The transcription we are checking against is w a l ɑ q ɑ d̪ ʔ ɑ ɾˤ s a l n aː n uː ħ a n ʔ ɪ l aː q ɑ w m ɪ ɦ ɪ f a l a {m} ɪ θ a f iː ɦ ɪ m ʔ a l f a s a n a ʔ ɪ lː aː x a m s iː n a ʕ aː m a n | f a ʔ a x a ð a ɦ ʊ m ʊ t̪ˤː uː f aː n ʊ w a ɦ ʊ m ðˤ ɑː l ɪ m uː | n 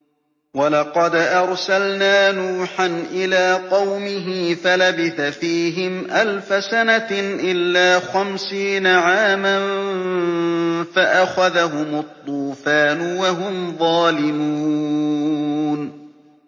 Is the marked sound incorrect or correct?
incorrect